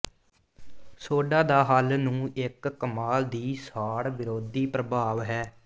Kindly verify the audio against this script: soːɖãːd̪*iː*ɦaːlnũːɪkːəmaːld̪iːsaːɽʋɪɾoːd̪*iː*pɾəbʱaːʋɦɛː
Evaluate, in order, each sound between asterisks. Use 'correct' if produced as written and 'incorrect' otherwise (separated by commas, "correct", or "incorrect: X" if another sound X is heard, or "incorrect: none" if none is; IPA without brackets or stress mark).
incorrect: aː, correct